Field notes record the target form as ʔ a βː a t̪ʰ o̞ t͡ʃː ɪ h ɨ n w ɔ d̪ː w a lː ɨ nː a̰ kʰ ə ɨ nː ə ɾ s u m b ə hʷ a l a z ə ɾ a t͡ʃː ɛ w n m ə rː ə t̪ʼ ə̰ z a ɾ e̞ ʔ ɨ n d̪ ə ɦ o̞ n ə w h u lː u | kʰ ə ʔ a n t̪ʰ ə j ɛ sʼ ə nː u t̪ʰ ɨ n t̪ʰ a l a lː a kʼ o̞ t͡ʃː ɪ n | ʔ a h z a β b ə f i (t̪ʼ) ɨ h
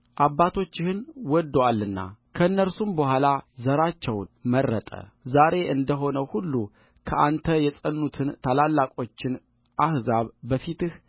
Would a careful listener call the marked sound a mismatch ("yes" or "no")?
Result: yes